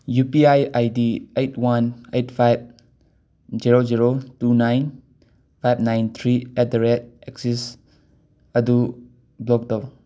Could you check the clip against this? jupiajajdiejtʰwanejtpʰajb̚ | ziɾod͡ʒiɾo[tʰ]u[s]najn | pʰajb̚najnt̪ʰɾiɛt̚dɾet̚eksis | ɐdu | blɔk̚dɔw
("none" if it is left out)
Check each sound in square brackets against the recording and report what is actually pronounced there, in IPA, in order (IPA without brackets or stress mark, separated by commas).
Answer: t, none